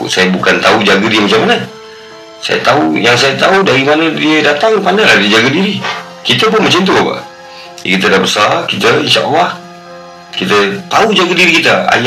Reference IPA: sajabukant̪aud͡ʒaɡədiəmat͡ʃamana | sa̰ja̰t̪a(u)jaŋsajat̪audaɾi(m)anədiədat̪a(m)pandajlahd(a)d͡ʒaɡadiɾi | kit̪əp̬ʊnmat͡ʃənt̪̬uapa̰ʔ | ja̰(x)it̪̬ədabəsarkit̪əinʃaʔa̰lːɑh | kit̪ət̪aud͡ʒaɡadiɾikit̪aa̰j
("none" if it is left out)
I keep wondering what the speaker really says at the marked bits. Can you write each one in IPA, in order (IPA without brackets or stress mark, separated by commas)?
u, m, ŋ, i, k